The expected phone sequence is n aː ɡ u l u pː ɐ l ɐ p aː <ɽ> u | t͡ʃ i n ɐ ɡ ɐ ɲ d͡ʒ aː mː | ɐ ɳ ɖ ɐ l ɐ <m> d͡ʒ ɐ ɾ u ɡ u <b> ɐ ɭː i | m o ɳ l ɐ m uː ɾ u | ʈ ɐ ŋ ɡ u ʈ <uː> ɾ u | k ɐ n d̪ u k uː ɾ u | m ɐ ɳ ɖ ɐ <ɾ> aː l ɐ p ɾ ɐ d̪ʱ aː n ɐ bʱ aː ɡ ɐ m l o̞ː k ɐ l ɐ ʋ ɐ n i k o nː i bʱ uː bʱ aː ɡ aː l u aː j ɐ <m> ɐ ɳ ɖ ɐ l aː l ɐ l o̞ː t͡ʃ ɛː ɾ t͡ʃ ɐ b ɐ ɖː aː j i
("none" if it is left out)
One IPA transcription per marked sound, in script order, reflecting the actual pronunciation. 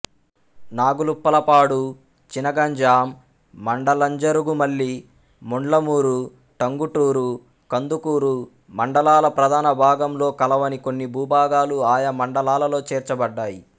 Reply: ɽ, ɲ, m, uː, l, m

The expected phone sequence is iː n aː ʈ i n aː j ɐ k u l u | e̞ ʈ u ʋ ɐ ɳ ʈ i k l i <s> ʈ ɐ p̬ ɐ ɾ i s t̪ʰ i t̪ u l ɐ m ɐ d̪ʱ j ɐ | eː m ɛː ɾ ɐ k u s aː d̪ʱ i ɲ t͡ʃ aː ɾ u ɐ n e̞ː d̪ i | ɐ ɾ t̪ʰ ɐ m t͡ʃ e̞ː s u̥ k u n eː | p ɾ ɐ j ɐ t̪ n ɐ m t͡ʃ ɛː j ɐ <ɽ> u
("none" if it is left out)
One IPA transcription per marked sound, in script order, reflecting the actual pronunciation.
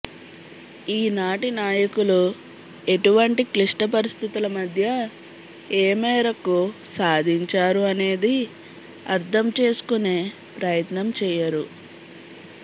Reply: ʂ, ɾ

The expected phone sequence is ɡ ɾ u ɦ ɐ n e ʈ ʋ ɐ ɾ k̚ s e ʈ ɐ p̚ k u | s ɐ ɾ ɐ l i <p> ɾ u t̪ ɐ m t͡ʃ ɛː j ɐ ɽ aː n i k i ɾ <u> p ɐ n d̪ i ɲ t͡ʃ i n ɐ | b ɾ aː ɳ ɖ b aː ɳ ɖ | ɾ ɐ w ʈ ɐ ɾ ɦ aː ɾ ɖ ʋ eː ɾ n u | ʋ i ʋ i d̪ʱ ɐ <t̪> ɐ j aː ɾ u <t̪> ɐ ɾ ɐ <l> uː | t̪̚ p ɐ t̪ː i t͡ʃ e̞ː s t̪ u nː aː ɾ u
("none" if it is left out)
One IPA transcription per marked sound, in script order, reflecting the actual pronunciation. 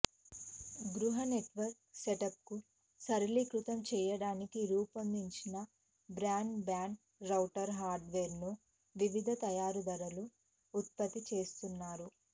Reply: k, uː, t̪, d̪, l

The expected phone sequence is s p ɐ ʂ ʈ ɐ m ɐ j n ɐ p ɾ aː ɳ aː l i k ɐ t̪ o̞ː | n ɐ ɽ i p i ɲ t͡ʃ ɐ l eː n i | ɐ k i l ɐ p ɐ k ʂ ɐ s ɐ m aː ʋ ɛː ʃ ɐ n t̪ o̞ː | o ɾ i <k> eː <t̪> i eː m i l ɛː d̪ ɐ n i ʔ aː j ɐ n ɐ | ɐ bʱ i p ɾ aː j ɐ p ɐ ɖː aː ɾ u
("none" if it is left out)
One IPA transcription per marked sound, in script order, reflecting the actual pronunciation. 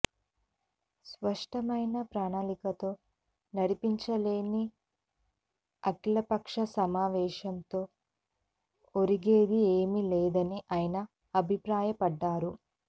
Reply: ɡ, d̪

